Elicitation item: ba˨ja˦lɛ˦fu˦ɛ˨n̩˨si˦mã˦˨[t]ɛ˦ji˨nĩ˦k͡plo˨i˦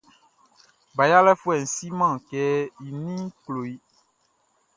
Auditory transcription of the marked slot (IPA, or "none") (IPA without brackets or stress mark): k